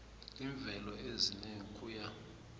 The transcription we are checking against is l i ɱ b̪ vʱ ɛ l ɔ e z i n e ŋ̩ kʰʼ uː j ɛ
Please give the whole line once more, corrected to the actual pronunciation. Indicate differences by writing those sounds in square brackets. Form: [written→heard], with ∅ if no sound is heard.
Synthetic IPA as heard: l i ɱ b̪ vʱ ɛ l ɔ e z i n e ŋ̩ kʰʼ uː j [ɛ→a]